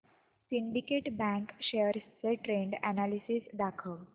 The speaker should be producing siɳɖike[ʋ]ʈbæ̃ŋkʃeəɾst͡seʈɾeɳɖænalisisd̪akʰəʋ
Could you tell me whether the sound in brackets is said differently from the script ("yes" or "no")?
yes